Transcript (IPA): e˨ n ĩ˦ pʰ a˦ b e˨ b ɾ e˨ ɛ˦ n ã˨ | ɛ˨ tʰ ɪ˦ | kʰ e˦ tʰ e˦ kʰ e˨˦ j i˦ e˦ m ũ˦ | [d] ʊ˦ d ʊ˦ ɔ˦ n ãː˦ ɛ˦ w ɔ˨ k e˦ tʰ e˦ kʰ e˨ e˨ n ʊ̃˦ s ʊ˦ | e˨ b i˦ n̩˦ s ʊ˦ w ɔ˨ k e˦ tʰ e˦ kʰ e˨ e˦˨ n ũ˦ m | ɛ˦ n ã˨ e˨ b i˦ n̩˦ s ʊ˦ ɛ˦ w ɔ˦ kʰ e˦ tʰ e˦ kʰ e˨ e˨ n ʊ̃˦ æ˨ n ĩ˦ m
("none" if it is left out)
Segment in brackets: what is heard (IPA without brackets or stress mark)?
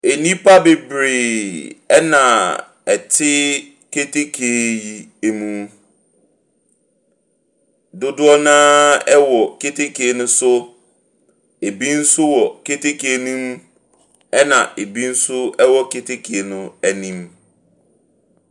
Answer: d